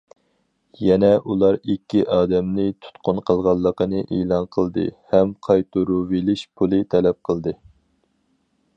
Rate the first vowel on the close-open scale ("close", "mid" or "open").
mid